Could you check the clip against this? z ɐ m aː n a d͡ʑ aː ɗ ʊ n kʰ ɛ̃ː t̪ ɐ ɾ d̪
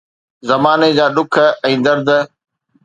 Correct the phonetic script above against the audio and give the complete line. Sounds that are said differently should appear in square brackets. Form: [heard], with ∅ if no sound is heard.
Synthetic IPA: z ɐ m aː n [e] d͡ʑ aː ɗ ʊ [∅] kʰ ɛ̃ː [d̪] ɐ ɾ d̪